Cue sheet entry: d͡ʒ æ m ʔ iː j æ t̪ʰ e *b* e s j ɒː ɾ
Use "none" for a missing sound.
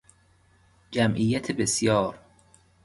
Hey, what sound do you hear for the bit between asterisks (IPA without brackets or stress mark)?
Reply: b